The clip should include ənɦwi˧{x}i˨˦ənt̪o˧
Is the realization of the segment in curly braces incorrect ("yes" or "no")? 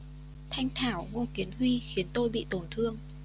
no